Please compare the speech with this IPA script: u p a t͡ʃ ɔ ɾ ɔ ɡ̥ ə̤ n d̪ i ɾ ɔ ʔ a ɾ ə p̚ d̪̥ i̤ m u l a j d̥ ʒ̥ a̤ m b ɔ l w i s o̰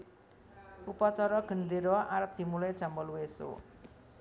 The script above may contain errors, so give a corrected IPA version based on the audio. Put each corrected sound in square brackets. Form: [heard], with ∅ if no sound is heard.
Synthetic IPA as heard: u p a t͡ʃ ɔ ɾ ɔ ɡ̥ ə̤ n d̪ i ɾ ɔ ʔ a ɾ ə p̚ d̪̥ i̤ m u l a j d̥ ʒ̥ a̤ m b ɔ l w [e] s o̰